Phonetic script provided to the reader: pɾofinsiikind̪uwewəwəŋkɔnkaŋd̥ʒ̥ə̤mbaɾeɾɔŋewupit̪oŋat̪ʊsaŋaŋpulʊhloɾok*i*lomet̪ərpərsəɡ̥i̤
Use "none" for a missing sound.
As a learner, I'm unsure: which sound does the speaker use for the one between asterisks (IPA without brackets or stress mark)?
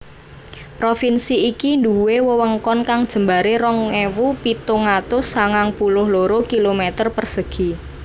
i